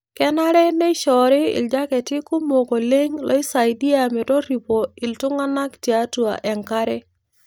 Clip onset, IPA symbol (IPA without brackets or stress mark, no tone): k